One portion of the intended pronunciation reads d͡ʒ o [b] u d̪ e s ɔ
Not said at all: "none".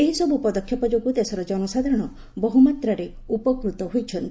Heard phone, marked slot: ɡ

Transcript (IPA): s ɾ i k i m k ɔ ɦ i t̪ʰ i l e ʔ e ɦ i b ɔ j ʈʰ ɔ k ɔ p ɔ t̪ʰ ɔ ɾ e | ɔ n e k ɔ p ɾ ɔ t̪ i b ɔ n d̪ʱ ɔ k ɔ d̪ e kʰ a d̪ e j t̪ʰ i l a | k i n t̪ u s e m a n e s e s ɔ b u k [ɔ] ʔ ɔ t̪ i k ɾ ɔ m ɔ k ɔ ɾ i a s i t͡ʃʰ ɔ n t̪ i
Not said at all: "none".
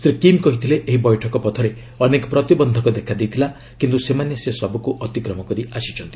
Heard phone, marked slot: u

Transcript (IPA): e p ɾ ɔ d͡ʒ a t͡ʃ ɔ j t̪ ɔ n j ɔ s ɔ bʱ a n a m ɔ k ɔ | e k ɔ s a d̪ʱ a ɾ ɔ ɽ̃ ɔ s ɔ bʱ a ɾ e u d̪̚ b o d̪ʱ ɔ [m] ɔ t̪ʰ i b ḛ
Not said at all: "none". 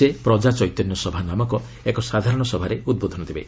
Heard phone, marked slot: n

